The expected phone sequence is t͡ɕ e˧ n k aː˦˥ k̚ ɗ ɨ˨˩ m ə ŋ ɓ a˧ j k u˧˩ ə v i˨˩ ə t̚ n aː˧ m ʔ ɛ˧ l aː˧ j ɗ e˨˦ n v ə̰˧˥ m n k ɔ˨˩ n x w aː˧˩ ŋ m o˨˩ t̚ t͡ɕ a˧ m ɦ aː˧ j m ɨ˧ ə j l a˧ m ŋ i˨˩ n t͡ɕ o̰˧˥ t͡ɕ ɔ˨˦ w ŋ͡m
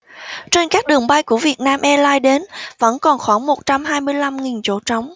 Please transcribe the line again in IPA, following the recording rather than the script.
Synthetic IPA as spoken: t͡ɕ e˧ n k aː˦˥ k̚ ɗ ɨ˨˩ ə ŋ ɓ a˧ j k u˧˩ ə v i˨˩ ə t̚ n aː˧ m ʔ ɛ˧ l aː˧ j ɗ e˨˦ n v ə̰˧˥ n k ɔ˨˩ n x w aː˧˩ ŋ m o˨˩ t̚ t͡ɕ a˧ m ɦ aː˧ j m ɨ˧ ə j l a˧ m ŋ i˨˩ n t͡ɕ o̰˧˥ t͡ɕ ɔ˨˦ w ŋ͡m